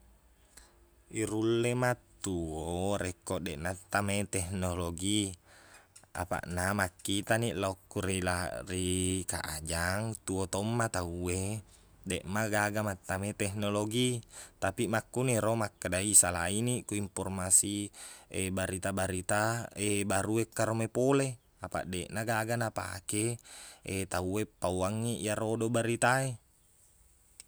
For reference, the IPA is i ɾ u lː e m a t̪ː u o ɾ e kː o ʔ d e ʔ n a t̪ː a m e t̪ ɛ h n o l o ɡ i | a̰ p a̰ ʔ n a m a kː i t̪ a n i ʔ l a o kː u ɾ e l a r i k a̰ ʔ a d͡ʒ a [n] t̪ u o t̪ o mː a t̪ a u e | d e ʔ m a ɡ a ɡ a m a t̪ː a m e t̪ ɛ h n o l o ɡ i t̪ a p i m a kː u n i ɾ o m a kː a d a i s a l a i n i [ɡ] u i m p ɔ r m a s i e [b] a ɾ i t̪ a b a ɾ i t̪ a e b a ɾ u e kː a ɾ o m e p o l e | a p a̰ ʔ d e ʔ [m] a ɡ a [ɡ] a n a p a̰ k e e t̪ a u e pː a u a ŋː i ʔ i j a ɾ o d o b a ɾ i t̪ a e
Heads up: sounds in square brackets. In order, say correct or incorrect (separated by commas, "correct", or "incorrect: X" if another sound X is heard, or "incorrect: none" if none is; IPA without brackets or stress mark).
incorrect: ŋ, incorrect: k, correct, incorrect: n, correct